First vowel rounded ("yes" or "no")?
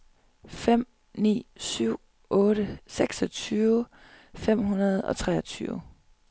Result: no